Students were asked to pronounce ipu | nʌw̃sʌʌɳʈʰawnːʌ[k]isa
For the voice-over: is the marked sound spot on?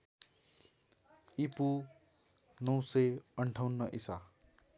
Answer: no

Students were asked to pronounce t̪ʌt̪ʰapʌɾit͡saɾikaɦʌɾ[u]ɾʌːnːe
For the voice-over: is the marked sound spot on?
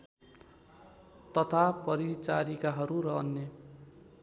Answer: yes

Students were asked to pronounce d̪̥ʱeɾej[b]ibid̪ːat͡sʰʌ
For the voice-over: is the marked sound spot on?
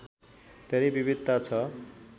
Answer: yes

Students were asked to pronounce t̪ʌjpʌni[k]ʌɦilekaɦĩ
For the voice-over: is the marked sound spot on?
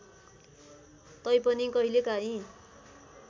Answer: yes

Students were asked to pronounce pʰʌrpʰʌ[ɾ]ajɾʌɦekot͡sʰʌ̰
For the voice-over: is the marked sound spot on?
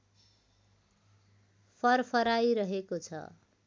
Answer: yes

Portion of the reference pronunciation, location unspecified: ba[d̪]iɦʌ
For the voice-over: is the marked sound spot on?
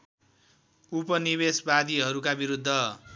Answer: yes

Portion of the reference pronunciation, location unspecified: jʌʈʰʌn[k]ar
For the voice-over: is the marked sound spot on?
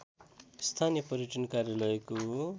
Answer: yes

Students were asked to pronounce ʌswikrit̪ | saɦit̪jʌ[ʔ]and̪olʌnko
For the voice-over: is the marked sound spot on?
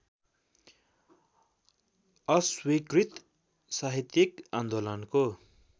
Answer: no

